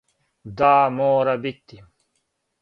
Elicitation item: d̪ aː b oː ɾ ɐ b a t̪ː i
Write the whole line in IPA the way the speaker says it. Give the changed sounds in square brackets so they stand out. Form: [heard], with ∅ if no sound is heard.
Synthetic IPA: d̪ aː [m] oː ɾ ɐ b [i] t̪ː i